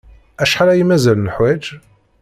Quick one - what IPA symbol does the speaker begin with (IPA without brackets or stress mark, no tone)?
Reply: æ